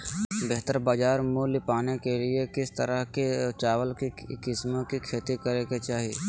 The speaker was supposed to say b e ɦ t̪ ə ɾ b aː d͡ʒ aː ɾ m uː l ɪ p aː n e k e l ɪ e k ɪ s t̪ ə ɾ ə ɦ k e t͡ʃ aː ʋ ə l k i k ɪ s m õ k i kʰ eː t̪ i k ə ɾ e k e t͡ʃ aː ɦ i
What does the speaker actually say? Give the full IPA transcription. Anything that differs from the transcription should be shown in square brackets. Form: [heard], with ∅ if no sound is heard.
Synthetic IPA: b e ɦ t̪ ə ɾ b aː d͡ʒ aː ɾ m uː l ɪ p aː n e k e l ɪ e k ɪ s t̪ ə ɾ ə ɦ k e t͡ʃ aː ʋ ə l k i k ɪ s m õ k i kʰ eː t̪ i k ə ɾ e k e t͡ʃ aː ɦ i